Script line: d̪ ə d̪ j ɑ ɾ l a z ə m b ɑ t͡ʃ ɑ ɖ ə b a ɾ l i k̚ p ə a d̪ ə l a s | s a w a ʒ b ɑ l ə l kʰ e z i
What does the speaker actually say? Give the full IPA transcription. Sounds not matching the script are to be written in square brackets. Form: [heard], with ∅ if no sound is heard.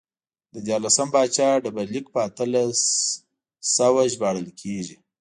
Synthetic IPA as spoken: d̪ ə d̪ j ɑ ɾ l a [s] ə m b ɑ t͡ʃ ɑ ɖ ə b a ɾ l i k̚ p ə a [t̪] ə l a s | s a w a ʒ b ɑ [ɽ] ə l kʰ e [ʒ] i